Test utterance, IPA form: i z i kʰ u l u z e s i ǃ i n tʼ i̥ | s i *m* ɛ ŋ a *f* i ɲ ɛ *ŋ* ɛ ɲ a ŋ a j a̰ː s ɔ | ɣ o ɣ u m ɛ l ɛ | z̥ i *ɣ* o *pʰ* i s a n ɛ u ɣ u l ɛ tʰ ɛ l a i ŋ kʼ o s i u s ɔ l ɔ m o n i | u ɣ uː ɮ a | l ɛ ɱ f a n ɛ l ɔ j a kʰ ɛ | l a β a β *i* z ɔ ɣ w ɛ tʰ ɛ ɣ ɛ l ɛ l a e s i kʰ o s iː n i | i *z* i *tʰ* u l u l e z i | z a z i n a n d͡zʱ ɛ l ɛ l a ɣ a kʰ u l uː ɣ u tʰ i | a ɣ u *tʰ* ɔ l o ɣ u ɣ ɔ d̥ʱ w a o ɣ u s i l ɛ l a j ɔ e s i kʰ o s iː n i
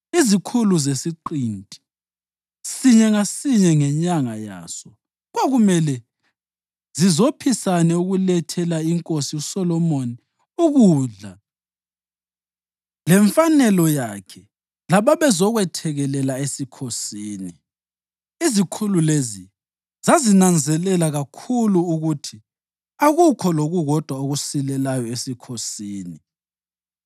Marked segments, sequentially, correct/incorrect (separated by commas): incorrect, incorrect, correct, incorrect, correct, incorrect, correct, incorrect, incorrect